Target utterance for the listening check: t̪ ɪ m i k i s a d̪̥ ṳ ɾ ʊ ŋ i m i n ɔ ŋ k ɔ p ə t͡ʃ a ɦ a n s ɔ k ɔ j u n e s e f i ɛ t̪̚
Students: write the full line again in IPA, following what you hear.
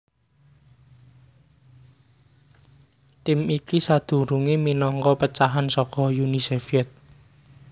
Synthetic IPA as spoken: t̪ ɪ m i k i s a d̪̥ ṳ ɾ u ŋ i m i n ɔ ŋ k ɔ p ə t͡ʃ a ɦ a n s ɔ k ɔ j u n i s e f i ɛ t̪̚